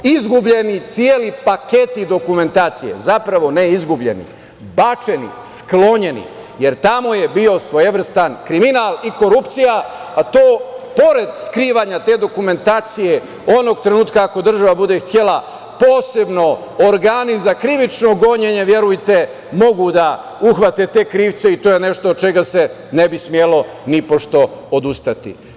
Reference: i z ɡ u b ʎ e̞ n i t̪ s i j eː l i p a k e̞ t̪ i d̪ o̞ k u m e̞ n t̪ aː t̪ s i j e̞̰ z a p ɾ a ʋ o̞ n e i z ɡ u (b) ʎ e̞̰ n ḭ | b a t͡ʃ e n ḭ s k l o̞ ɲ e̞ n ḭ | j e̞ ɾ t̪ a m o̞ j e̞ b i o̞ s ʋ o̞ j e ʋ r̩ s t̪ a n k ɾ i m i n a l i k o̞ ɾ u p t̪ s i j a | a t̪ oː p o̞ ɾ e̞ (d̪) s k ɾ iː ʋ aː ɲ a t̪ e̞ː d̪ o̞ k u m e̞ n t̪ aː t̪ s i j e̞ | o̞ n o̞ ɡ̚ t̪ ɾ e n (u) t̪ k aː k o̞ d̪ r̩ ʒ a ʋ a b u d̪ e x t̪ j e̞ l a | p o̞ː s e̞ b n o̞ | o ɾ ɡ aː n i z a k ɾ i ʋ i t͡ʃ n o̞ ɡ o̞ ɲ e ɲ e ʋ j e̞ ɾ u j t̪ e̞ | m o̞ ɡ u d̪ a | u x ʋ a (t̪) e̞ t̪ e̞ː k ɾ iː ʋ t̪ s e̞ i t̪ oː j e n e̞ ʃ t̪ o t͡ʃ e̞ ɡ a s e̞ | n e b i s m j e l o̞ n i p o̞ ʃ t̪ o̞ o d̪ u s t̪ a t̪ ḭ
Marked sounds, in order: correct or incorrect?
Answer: correct, correct, incorrect: uː, correct

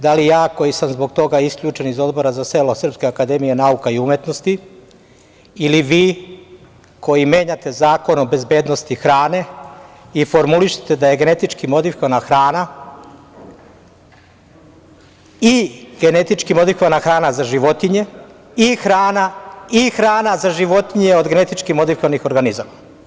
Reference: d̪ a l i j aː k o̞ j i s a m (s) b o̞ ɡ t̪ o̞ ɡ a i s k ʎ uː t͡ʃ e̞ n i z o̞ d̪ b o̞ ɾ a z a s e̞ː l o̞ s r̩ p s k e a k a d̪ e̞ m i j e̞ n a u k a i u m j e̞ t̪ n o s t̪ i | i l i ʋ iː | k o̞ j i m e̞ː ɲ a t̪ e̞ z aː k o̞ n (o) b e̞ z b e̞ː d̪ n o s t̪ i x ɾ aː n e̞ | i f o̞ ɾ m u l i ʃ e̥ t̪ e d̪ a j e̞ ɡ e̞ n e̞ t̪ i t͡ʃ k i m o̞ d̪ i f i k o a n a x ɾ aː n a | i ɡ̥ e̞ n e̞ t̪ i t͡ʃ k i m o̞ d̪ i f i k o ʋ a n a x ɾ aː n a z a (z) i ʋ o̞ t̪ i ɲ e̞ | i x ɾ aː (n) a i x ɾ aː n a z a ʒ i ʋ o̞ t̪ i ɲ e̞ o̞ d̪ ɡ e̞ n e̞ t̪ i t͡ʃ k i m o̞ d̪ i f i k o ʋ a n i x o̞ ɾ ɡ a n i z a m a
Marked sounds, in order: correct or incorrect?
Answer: incorrect: z, correct, incorrect: ʒ, correct

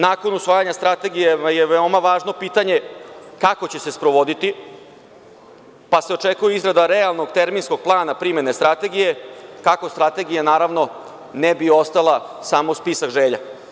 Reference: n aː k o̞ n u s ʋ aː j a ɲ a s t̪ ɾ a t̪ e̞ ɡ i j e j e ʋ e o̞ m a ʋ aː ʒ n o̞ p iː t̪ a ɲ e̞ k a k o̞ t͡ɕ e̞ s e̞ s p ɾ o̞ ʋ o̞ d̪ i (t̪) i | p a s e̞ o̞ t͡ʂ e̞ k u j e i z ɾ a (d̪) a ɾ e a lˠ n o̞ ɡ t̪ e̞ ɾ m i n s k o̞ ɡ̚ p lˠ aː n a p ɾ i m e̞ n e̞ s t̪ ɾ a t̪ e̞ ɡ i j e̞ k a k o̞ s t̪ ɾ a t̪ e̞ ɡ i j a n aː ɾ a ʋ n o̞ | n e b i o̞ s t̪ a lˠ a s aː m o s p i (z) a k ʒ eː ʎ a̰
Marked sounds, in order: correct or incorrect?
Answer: correct, correct, incorrect: s

